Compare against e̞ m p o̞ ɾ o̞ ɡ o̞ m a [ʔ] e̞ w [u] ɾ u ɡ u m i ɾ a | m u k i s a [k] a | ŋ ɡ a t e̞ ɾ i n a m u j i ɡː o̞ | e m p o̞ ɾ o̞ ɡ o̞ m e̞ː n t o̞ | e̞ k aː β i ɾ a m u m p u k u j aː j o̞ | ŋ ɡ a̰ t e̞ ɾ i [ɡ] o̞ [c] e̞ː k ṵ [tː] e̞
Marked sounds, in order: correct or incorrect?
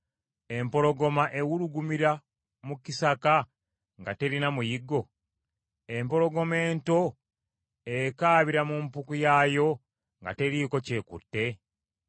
correct, correct, correct, incorrect: k, correct, correct

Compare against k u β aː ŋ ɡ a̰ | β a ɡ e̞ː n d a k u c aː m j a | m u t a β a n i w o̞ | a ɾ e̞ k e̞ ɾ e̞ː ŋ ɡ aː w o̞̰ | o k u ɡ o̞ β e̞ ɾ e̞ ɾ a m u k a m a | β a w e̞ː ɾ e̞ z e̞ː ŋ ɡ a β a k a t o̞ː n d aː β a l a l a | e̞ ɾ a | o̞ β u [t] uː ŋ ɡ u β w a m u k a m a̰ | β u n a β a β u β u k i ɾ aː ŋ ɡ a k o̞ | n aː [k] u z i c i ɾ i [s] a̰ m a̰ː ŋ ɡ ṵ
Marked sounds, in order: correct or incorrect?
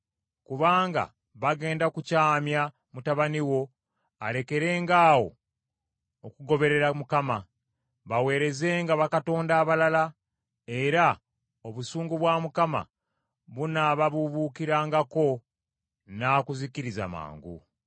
incorrect: s, correct, incorrect: z

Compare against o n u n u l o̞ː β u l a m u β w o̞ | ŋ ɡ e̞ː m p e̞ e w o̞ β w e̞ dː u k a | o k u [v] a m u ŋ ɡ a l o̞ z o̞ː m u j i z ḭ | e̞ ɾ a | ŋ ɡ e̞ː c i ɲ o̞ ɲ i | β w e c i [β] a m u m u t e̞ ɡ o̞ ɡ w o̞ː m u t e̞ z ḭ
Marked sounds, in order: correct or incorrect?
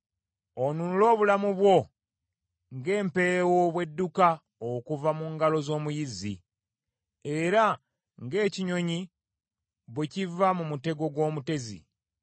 correct, incorrect: v

